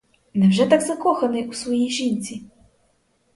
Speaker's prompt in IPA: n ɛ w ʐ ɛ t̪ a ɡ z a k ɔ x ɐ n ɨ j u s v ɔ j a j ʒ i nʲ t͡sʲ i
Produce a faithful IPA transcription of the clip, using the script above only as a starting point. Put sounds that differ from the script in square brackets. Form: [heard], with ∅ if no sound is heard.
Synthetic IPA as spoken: n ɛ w ʐ ɛ t̪ a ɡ z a k ɔ x ɐ n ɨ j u s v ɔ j [i] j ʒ i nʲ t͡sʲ i